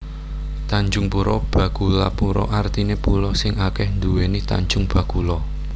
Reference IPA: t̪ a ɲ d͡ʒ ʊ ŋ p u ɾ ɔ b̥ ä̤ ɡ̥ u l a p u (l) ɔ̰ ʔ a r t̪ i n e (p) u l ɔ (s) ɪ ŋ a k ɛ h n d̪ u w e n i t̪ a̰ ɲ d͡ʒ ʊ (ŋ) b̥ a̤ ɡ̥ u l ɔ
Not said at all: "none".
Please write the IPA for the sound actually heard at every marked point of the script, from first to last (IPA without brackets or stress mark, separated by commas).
ɾ, p, s, ŋ